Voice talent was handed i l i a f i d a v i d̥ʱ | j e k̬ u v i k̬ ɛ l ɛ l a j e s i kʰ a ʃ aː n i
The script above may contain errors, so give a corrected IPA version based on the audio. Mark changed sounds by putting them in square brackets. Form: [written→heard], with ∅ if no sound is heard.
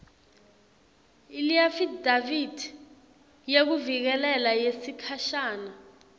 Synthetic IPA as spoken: i l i a f i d a v i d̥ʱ | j e k̬ u v i k̬ ɛ l ɛ l a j e s i kʰ a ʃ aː n [i→a]